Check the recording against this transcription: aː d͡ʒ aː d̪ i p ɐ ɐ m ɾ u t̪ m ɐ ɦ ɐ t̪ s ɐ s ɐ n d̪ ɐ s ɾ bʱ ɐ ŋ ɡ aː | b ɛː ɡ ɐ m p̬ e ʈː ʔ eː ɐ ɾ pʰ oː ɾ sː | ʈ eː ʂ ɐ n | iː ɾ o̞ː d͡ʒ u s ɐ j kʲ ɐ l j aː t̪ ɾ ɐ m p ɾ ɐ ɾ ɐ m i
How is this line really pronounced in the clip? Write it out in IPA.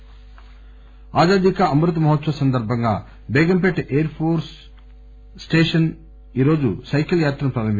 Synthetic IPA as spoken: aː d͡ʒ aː d̪ i k ɐ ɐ m ɾ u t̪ m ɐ ɦ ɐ t̪ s ɐ s ɐ n d̪ ɐ ɾ bʱ ɐ ŋ ɡ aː | b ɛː ɡ ɐ m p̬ e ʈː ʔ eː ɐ ɾ pʰ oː ɾ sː | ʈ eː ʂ ɐ n | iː ɾ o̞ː d͡ʒ u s ɐ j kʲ ɐ l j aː t̪ ɾ ɐ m p ɾ ɐ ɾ ɐ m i